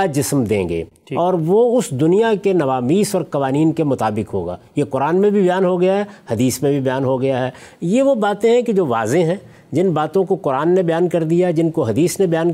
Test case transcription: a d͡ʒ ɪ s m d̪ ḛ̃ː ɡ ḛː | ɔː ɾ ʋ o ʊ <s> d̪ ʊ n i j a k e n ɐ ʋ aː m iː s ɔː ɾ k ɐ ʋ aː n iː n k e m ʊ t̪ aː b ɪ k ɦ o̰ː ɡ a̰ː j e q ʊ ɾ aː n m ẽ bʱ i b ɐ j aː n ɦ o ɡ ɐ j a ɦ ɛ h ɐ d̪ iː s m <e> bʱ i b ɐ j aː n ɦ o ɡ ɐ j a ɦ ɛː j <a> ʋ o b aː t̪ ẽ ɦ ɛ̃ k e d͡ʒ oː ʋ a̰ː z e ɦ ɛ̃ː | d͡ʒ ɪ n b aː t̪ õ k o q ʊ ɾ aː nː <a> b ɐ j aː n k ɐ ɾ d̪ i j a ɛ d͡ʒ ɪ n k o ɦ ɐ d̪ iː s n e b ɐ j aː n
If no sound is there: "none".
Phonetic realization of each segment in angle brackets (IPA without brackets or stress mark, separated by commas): s, ẽ, e, e